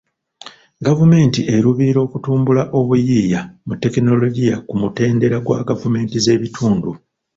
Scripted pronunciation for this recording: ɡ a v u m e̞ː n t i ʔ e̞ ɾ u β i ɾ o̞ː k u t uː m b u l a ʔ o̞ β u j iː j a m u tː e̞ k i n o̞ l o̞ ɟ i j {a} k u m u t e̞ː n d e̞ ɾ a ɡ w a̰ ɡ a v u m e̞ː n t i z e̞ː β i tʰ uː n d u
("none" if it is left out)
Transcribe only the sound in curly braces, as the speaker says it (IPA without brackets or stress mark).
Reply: a